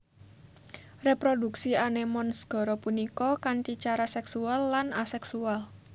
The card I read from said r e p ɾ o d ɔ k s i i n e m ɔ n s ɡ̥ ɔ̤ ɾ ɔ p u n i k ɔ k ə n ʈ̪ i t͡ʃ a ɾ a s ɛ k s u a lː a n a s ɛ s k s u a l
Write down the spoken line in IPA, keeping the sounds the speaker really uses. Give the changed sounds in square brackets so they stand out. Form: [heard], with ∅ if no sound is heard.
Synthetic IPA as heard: r e p ɾ o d [u] k s i [a] n e m ɔ n s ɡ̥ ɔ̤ ɾ ɔ p u n i k ɔ k [a] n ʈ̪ i t͡ʃ a ɾ a s ɛ k s u a lː a n a s ɛ [∅] k s u a l